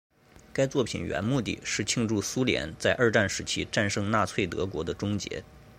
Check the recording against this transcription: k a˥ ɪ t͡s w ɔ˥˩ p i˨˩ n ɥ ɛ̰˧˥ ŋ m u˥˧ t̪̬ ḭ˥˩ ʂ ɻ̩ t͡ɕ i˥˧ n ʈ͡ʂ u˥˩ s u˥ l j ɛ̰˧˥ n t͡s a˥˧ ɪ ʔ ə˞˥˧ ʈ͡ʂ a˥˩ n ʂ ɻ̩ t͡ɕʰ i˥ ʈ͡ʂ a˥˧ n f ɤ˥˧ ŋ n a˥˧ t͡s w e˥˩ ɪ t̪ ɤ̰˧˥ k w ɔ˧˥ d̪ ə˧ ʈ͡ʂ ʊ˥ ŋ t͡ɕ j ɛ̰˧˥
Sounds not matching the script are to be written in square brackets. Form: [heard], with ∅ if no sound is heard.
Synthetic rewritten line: k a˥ ɪ t͡s w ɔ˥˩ [pʰ] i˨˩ n ɥ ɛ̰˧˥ [n] m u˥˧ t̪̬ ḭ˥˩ ʂ ɻ̩ [t͡ɕʰ] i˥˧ [ŋ] ʈ͡ʂ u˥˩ s u˥ l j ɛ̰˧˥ n t͡s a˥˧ ɪ ʔ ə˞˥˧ ʈ͡ʂ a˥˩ n ʂ ɻ̩ t͡ɕʰ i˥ ʈ͡ʂ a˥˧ n [ʂ] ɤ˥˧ ŋ n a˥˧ [t͡sʰ] w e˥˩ ɪ t̪ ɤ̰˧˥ k w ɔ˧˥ d̪ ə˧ ʈ͡ʂ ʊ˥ ŋ t͡ɕ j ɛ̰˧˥